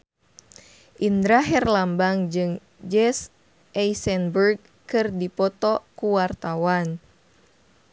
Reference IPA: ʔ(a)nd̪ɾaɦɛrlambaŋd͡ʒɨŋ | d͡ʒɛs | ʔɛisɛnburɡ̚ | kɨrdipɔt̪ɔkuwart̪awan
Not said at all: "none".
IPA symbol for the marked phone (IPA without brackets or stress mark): i